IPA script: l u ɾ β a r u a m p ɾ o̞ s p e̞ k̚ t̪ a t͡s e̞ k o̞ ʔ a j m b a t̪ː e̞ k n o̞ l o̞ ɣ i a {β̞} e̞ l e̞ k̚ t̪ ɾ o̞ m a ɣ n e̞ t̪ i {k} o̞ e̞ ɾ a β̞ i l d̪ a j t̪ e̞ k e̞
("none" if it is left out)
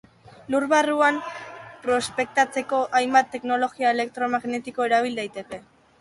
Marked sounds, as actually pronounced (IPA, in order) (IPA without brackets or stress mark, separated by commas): none, k